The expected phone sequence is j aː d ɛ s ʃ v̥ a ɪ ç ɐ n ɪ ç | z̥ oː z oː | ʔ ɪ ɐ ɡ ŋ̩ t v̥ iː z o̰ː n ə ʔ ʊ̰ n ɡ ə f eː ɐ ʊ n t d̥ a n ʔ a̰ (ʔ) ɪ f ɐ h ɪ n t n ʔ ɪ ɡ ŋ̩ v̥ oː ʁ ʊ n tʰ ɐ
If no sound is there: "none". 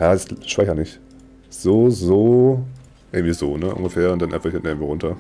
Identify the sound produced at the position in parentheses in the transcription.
none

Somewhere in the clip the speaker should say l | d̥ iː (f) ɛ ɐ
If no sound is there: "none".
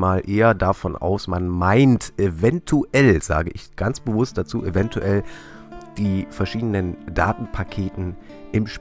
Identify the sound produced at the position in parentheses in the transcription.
f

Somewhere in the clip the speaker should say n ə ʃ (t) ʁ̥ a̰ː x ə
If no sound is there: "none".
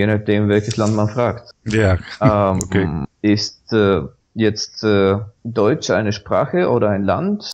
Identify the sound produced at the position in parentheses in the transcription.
p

